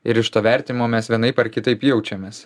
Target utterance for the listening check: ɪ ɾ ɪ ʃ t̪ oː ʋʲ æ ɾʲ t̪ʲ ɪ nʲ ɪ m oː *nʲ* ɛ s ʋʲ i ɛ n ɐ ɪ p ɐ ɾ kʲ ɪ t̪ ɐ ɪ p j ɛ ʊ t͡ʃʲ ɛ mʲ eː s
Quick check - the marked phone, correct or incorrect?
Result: incorrect